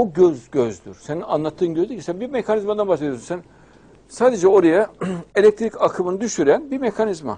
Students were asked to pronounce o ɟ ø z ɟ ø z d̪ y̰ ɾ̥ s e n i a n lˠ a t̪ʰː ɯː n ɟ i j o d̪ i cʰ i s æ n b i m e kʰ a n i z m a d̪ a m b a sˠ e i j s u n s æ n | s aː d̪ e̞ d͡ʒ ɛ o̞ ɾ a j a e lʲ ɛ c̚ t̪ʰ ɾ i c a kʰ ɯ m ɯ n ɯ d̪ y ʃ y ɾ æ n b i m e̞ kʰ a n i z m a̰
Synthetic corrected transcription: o ɟ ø z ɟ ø z d̪ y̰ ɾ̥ s e n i a n lˠ a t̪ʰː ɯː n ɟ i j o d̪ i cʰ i s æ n b i m e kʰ a n i z m a d̪ a n b a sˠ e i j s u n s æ n | s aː d̪ e̞ d͡ʒ ɛ o̞ ɾ a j a e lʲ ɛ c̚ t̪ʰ ɾ i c a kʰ ɯ m ɯ n ɯ d̪ y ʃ y ɾ æ n b i m e̞ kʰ a n i z m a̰